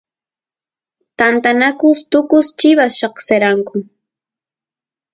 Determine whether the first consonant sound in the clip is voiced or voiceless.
voiceless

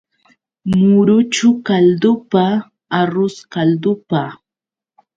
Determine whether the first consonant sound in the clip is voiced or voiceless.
voiced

